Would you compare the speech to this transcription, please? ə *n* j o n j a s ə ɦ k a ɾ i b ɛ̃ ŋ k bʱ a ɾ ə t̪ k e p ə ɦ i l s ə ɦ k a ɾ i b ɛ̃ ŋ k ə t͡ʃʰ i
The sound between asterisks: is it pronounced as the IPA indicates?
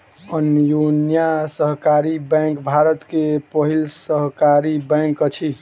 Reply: yes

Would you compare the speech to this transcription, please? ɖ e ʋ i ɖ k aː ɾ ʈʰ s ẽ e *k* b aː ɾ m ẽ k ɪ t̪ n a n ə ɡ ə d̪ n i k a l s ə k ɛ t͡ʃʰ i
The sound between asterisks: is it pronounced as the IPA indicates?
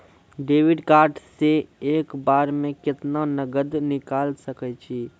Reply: yes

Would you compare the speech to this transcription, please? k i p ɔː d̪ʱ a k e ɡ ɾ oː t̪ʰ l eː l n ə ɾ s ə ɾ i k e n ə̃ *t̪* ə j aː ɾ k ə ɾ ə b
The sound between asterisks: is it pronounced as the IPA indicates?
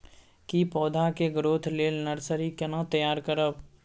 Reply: yes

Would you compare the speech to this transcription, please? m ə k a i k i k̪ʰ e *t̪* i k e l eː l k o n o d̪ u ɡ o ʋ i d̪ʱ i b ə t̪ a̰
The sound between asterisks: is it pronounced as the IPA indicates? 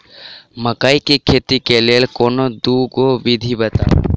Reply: yes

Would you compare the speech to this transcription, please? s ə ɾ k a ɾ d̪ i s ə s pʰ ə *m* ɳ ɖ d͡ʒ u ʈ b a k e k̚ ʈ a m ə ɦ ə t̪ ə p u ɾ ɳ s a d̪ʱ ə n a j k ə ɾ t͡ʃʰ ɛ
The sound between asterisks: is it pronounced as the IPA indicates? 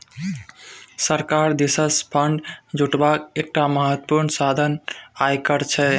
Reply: no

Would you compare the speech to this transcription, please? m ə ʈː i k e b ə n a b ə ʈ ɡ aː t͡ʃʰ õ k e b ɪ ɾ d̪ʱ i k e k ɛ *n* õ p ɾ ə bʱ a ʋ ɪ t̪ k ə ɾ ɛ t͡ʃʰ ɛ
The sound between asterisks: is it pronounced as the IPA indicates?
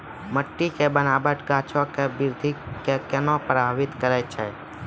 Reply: yes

